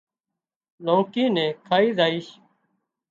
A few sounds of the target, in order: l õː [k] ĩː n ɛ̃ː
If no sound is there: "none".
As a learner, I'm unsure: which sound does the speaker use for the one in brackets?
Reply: k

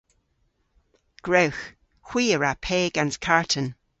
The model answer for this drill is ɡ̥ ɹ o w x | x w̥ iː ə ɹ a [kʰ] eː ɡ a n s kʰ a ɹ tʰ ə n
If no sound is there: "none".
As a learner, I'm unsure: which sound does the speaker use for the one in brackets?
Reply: pʰ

